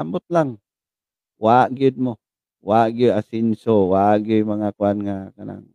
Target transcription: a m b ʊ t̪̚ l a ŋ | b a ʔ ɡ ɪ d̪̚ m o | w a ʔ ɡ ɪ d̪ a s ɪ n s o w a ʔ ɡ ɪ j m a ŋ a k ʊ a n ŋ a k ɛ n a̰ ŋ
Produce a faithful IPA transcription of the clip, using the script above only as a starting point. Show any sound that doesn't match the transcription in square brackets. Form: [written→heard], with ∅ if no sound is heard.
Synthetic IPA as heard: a m b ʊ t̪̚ l a ŋ | [b→w] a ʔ ɡ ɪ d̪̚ m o | w a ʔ ɡ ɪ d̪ a s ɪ n s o w a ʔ ɡ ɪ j m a ŋ a k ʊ a n ŋ a k [ɛ→a] n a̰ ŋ